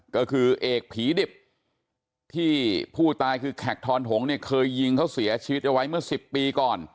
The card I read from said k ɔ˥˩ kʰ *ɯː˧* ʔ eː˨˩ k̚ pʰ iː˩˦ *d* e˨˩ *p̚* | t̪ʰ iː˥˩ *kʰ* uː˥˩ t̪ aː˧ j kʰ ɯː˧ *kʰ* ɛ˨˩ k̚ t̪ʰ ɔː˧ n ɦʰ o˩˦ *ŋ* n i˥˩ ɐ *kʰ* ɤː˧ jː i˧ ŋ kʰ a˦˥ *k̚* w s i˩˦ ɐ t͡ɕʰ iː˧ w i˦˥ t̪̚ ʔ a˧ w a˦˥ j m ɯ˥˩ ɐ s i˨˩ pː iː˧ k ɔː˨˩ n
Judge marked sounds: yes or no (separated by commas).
yes, yes, yes, no, yes, yes, yes, no